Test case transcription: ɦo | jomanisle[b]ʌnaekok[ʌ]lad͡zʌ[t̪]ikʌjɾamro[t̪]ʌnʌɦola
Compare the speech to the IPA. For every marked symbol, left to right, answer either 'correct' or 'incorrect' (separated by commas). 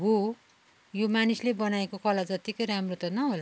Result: correct, correct, correct, correct